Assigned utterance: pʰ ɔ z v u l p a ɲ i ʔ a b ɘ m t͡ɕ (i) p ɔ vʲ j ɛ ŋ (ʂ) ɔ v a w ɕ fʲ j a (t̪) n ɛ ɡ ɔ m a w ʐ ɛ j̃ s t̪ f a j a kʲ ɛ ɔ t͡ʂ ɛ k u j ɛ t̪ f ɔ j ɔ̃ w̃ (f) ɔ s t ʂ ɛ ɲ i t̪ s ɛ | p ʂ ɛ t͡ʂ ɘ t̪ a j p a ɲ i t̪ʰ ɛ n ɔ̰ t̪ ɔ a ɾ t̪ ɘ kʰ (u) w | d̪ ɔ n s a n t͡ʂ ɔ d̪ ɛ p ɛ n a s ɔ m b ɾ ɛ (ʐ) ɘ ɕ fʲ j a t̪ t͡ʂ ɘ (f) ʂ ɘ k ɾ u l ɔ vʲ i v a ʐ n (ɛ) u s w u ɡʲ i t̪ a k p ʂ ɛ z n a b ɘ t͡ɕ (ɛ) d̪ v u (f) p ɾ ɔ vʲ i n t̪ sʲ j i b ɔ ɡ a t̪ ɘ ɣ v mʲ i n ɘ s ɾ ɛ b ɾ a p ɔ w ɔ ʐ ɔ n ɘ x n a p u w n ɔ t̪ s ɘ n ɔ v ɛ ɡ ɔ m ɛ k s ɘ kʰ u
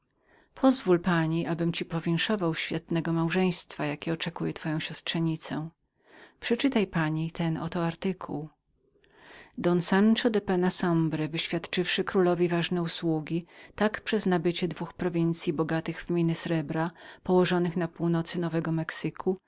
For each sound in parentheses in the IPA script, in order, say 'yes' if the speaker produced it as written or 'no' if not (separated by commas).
yes, yes, yes, no, yes, no, yes, yes, yes, no